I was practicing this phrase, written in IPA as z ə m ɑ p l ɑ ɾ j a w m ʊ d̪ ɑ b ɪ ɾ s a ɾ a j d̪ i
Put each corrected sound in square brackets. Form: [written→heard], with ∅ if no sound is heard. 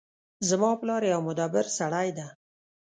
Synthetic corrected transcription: z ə m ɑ p l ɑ ɾ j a w m ʊ d̪ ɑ b ɪ ɾ s a [ɾ→ɽ] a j d̪ [i→a]